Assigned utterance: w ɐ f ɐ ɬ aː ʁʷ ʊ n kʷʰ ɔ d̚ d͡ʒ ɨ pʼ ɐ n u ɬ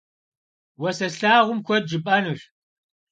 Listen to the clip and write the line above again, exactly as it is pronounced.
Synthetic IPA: w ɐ s ɐ ɬ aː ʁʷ ʊ m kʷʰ ɔ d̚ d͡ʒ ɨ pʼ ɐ n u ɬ